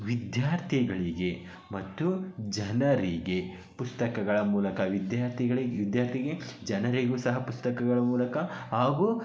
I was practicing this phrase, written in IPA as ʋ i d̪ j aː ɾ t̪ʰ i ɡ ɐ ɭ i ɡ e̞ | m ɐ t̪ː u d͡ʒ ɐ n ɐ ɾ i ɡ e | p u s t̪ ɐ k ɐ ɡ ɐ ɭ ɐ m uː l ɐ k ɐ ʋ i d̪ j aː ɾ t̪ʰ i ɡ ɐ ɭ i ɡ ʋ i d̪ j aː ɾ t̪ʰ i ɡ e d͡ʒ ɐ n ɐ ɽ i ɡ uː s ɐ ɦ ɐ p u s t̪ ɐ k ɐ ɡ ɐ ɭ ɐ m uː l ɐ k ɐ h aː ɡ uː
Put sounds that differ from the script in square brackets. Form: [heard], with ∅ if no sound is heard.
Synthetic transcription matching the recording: ʋ i d̪ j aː ɾ t̪ʰ i ɡ ɐ ɭ i ɡ e̞ | m ɐ t̪ː u d͡ʒ ɐ n ɐ ɾ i ɡ e | p u s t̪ ɐ k ɐ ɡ ɐ ɭ ɐ m uː l ɐ k ɐ ʋ i d̪ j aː ɾ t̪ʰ i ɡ ɐ ɭ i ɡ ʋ i d̪ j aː ɾ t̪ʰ i ɡ e d͡ʒ ɐ n ɐ [ɾ] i ɡ uː s ɐ ɦ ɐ p u s t̪ ɐ k ɐ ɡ ɐ ɭ ɐ m uː l ɐ k ɐ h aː ɡ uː